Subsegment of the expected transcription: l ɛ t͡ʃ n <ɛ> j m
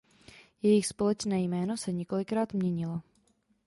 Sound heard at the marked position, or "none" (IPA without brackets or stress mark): ɛː